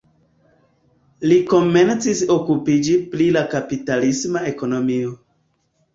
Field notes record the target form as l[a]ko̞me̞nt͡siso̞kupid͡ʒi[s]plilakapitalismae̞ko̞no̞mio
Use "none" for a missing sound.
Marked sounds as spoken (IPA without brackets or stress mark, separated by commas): i, none